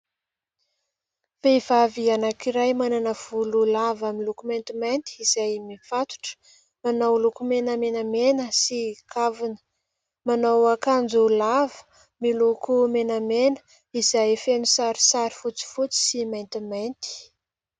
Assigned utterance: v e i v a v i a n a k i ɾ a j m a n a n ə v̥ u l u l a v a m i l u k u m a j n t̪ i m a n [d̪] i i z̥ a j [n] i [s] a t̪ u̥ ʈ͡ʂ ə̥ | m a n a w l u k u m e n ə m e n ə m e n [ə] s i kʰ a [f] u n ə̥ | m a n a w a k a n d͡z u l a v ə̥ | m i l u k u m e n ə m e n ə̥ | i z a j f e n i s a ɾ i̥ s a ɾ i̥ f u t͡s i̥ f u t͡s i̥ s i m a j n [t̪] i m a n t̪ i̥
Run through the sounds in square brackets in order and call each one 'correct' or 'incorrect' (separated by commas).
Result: incorrect, incorrect, incorrect, correct, incorrect, correct